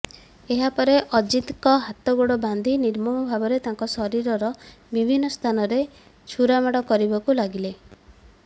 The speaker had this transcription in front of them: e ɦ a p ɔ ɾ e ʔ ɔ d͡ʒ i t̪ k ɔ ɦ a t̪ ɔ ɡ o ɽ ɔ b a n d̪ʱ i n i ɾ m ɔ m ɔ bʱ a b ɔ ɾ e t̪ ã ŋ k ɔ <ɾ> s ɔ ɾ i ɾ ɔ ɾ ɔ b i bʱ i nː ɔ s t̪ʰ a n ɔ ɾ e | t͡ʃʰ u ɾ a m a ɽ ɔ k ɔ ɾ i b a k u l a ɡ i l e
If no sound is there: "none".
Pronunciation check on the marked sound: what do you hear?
none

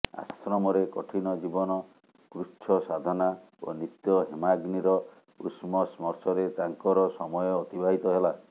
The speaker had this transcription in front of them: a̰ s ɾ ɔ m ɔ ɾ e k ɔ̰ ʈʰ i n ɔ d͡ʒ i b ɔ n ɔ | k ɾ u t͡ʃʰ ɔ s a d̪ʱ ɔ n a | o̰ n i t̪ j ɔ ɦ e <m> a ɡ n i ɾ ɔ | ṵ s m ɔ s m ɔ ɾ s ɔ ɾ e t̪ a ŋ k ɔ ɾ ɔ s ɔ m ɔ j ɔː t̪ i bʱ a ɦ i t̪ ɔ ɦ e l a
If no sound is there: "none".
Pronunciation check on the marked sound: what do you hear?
m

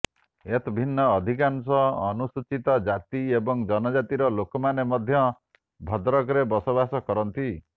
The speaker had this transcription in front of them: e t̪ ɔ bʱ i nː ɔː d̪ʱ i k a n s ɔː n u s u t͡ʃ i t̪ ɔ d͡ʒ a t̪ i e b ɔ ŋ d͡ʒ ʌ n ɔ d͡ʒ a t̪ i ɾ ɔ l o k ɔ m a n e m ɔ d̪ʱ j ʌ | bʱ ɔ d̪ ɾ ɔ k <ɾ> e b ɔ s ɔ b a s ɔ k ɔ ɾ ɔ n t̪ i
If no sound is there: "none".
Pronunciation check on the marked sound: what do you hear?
ɾ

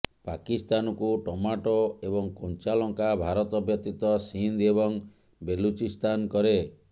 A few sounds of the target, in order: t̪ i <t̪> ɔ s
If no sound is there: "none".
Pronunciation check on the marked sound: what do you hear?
t̪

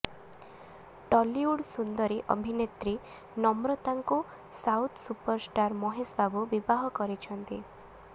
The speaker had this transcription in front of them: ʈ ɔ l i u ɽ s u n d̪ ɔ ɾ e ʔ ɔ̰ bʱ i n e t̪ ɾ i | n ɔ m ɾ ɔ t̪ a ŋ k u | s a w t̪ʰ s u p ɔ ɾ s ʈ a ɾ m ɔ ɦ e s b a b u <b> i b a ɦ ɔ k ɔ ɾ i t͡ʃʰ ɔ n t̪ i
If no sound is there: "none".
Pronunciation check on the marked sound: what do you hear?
b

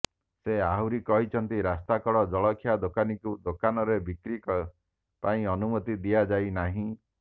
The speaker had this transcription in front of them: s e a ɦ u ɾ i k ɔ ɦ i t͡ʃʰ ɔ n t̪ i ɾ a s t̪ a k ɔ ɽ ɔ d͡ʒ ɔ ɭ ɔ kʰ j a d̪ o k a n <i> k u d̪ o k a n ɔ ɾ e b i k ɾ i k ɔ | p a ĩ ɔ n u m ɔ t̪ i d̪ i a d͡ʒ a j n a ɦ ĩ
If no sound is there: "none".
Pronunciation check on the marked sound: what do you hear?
i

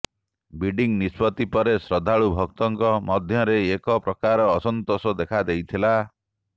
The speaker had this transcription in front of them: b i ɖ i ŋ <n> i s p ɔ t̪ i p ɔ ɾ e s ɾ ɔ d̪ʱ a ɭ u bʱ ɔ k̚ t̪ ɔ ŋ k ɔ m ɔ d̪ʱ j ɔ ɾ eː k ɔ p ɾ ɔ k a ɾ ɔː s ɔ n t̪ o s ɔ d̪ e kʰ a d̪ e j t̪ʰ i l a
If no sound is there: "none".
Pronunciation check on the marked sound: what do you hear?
n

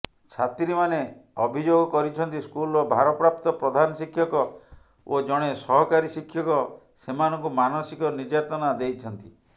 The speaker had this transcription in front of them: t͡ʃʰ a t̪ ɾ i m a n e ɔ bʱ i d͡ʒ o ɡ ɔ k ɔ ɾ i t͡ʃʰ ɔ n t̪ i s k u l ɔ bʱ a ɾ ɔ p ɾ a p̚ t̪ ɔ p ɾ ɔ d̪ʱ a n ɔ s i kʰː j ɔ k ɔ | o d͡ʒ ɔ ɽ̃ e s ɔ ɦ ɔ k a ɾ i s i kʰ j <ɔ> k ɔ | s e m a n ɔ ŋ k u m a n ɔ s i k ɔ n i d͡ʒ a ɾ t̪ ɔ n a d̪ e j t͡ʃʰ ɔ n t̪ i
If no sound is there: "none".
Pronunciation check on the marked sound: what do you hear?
ɔ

